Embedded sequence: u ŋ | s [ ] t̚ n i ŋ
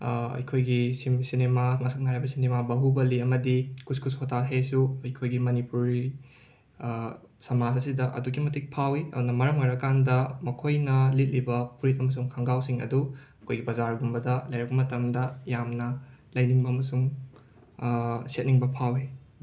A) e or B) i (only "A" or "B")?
A